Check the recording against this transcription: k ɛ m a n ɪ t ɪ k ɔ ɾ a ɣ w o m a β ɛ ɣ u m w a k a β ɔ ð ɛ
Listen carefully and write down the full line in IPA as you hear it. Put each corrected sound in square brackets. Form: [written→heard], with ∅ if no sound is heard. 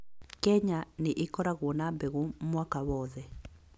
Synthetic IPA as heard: k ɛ [m→ɲ] a n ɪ [t→ʔ] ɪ k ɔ ɾ a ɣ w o [m→n] a [β→b] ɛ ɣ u m w a k a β ɔ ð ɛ